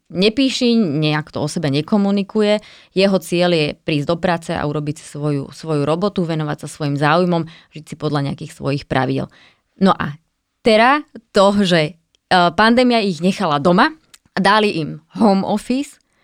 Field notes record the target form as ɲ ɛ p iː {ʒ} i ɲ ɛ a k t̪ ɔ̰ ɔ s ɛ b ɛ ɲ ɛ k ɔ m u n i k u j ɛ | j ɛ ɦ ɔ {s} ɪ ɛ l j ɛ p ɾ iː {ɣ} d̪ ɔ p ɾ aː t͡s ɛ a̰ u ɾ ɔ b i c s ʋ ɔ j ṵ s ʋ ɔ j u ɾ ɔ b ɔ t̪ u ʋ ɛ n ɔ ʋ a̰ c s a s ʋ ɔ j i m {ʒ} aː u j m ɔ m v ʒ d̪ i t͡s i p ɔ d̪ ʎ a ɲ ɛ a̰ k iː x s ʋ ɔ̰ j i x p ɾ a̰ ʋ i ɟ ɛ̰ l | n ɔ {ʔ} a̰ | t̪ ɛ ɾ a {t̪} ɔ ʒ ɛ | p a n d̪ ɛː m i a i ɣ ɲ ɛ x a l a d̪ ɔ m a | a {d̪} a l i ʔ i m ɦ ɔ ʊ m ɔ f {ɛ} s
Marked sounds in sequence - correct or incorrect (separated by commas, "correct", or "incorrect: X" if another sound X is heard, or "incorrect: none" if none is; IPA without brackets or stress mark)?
incorrect: ʃ, incorrect: t͡s, incorrect: z, incorrect: z, correct, correct, correct, incorrect: i